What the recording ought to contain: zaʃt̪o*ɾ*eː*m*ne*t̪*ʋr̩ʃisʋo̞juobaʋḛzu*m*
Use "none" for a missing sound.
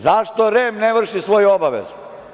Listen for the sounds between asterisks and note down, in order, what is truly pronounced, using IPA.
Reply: ɾ, m, none, none

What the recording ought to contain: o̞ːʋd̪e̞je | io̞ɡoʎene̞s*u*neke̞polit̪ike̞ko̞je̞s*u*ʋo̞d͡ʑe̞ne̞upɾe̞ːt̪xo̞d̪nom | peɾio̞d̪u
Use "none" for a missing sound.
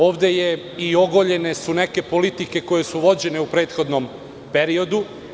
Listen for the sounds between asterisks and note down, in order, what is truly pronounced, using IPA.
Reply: u, u

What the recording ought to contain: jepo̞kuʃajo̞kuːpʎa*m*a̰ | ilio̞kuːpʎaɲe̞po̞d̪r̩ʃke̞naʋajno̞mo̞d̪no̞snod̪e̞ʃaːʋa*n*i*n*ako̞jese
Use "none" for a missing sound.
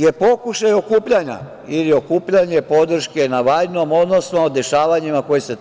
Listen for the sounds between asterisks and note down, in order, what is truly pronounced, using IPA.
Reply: ɲ, ɲ, m

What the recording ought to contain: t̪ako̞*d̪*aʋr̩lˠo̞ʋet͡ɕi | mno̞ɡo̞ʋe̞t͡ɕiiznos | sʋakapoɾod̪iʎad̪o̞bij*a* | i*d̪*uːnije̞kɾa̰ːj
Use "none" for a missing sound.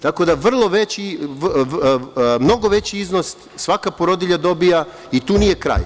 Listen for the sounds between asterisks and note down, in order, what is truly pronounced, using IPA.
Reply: d̪, a, t̪

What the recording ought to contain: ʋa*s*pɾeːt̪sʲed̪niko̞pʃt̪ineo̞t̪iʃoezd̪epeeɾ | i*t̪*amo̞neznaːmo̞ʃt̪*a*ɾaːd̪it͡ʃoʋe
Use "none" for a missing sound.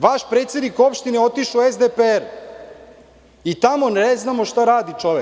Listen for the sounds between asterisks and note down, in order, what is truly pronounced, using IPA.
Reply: ʃ, t̪, a

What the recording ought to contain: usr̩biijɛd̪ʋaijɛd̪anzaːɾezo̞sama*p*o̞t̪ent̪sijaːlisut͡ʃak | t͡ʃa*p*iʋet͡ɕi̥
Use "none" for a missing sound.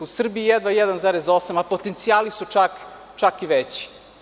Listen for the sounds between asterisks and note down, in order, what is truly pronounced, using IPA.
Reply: p, k

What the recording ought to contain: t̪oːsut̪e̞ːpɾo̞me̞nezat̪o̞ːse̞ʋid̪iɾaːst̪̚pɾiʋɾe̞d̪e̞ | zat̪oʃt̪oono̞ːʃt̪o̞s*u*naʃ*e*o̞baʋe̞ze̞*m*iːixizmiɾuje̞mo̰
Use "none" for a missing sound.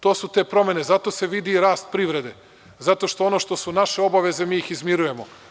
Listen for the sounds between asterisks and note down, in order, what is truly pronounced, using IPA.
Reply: u, e, m

